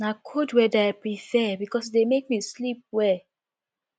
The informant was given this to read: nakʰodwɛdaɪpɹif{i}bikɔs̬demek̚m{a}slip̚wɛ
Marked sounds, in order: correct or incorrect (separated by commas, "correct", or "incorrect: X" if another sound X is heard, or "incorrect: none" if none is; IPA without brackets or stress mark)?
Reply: incorrect: ɛ, incorrect: i